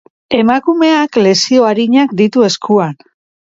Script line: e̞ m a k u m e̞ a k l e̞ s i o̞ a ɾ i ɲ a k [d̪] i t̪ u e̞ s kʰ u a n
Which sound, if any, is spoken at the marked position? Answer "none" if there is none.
d̪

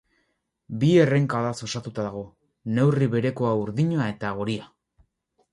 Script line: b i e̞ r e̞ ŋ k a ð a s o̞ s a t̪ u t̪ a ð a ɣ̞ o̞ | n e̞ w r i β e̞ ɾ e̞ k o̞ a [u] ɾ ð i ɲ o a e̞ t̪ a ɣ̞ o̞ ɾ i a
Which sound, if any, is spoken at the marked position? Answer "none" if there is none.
u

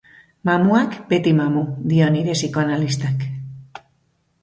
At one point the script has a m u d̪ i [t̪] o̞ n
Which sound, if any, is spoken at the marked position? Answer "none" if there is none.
none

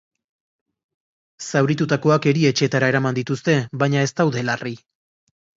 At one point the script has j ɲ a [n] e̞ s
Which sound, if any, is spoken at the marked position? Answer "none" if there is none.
none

